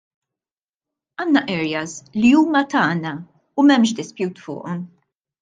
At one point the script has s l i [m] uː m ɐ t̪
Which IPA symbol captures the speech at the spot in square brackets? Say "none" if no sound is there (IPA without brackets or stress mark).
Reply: none